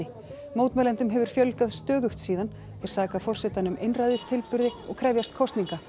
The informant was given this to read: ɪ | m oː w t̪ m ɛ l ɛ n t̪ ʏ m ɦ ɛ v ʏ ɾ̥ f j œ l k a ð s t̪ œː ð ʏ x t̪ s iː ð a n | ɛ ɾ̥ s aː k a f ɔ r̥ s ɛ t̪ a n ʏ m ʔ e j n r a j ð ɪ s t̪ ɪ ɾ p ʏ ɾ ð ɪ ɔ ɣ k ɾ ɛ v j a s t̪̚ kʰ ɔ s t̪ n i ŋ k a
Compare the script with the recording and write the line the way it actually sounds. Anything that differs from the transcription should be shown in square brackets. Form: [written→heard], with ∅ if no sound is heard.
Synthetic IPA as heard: ɪ | m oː w t̪ m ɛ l ɛ n t̪ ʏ m ɦ ɛ v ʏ ɾ̥ f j œ l k a ð s t̪ œː ð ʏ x t̪ s iː ð a n | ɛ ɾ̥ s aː k a f ɔ r̥ s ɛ t̪ a n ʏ m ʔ e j n r a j ð ɪ s [t̪→t̪ʰ] ɪ [ɾ→l] p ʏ ɾ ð ɪ ɔ ɣ [k→kʰ] ɾ ɛ v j a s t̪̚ kʰ ɔ s t̪ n i ŋ k a